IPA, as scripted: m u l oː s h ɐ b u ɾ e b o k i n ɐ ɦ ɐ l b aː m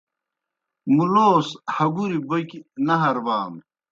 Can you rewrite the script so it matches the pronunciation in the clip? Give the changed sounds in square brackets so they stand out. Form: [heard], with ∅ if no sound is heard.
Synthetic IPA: m u l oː s h ɐ [ɡ] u ɾ [i] b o k i n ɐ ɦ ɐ [ɾ] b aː m

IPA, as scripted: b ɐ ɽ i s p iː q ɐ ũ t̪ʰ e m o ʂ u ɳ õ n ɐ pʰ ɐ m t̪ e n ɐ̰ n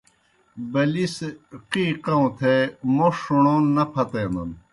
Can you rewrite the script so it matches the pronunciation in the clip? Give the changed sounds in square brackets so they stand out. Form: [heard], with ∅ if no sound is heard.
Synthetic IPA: b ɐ [l] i s [q] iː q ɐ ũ t̪ʰ e m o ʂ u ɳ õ n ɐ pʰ ɐ [∅] t̪ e n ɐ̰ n

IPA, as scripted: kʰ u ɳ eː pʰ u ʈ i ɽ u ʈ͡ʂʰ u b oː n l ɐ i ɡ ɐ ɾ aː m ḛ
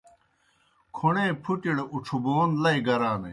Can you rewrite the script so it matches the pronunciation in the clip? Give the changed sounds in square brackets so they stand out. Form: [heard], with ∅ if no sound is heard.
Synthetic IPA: kʰ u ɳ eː pʰ u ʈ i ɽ u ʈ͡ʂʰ u b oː n l ɐ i ɡ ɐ ɾ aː [n] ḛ

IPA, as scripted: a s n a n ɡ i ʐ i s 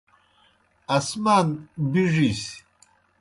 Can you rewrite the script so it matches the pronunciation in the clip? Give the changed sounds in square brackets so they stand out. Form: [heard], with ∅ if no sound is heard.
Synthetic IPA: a s [m] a n [b] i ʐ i s

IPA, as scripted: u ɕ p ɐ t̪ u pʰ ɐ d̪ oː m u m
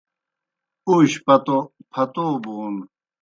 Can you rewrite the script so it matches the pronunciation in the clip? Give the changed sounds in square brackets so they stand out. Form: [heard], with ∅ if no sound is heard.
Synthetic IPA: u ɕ p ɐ t̪ [o] pʰ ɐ [t̪] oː [b] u [n]

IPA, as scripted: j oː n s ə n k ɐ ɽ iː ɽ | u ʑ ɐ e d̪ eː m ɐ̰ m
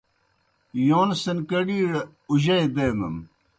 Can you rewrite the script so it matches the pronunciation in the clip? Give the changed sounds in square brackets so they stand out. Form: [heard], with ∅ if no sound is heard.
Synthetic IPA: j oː n s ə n k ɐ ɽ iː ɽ | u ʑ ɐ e d̪ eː m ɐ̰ m

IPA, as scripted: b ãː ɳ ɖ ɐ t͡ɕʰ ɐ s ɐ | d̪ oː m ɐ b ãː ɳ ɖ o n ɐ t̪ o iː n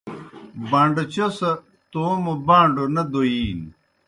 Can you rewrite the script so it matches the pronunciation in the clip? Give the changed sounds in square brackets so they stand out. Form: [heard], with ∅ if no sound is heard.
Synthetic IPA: b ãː ɳ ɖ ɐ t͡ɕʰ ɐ s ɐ | [t̪] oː m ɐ b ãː ɳ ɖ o n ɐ [d̪] o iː n

